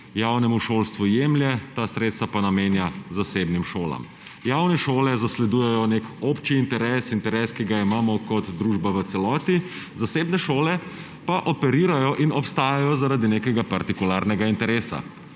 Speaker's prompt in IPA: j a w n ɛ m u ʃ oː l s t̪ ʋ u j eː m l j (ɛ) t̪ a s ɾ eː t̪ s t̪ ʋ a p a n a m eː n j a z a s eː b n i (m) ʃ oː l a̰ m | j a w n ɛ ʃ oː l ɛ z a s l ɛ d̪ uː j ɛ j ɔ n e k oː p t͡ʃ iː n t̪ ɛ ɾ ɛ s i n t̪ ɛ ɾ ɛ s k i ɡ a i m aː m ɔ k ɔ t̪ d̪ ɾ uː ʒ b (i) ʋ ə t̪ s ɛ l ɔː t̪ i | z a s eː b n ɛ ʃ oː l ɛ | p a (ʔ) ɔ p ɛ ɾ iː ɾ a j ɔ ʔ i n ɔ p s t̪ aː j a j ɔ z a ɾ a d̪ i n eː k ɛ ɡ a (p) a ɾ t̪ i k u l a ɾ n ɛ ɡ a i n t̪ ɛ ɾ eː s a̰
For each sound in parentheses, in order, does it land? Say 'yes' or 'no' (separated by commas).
yes, yes, no, yes, yes